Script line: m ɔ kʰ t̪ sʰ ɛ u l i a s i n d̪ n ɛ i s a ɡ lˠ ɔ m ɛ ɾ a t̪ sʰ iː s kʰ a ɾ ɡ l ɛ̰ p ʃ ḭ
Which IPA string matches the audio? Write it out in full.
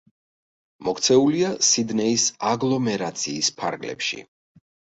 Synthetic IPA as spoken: m ɔ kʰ t̪ sʰ ɛ u l i a s i d̪ n ɛ i s a ɡ lˠ ɔ m ɛ ɾ a t̪ sʰ iː s pʰ a ɾ ɡ l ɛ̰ p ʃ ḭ